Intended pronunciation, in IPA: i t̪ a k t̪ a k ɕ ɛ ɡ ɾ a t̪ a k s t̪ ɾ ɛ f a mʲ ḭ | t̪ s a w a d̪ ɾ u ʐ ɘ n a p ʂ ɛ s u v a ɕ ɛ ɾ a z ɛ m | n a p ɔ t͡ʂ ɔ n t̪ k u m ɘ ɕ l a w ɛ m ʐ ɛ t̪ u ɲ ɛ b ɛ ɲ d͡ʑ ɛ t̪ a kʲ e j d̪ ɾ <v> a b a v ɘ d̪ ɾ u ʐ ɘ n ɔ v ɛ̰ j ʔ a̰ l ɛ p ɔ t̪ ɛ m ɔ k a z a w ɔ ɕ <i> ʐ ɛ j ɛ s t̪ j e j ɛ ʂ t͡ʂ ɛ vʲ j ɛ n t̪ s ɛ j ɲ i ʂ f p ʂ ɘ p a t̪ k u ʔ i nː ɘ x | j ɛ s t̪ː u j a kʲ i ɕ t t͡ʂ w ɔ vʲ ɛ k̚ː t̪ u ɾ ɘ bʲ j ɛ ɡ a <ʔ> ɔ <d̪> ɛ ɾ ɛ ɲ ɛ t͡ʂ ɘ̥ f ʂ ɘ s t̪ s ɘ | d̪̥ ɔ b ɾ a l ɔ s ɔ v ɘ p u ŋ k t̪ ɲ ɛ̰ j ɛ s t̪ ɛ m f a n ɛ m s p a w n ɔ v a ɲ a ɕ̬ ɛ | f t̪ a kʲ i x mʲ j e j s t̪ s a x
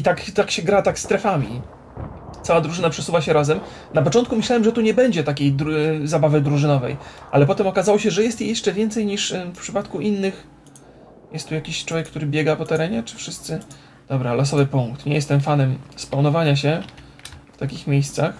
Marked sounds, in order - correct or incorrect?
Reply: incorrect: z, incorrect: ɛ, incorrect: p, incorrect: t̪

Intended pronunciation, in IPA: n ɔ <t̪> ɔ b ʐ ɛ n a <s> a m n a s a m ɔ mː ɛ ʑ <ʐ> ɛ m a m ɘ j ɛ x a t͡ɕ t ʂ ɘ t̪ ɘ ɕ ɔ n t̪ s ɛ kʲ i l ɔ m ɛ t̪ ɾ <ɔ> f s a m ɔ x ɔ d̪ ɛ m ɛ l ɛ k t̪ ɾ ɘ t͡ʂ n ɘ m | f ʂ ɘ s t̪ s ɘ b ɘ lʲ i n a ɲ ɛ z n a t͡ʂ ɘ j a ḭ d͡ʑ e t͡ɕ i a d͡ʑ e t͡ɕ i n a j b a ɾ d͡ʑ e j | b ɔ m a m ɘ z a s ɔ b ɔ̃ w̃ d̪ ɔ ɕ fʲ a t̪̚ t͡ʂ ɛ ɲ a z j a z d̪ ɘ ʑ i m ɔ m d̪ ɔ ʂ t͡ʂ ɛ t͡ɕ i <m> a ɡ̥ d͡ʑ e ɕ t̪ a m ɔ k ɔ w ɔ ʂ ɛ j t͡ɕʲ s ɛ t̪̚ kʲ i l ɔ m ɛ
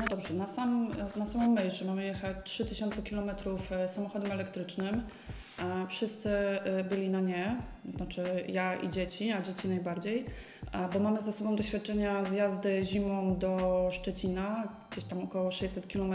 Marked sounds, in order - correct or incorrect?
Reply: incorrect: d̪, correct, correct, incorrect: u, incorrect: n

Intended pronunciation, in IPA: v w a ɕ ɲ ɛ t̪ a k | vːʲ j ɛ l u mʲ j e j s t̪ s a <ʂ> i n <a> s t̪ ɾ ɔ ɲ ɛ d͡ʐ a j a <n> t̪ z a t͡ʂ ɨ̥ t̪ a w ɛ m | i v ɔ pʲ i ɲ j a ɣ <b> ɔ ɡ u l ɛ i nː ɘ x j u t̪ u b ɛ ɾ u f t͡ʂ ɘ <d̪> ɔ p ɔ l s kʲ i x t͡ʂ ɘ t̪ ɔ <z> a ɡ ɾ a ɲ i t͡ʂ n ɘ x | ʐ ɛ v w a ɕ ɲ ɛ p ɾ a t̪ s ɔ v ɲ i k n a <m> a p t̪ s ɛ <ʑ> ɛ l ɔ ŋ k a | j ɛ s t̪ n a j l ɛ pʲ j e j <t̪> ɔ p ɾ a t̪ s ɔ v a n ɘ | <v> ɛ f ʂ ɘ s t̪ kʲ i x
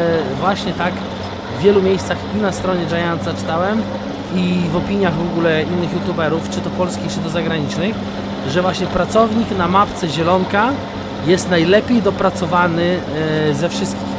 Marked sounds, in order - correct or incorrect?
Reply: incorrect: x, correct, correct, incorrect: v, incorrect: t̪, correct, correct, correct, incorrect: d̪, incorrect: z

